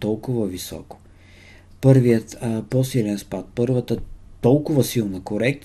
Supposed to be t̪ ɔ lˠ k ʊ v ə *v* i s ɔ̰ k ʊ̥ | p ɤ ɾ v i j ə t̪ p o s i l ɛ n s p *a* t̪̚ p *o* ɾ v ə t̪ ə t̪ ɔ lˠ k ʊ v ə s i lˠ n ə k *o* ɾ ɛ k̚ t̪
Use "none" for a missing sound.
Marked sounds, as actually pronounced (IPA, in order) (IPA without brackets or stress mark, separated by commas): v, a, ɤ, o